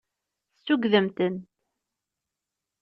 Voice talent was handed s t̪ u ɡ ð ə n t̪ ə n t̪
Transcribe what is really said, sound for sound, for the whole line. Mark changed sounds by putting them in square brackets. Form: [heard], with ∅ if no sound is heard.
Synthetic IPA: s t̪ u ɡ ð ə [m] t̪ ə n t̪